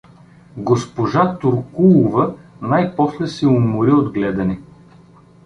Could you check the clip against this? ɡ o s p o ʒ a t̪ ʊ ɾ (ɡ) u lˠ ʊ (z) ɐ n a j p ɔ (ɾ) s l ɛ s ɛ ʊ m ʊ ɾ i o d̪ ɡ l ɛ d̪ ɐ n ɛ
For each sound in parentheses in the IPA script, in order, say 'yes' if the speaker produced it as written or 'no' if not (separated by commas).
no, no, no